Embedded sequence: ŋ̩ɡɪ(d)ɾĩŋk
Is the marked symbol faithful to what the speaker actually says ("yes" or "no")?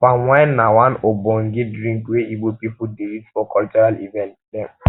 yes